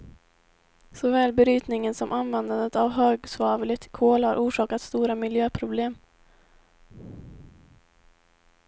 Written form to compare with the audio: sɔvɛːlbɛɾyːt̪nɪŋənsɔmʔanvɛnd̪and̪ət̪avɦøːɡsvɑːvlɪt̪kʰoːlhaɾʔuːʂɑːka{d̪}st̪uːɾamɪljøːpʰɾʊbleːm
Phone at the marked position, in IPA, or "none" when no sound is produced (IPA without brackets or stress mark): t̪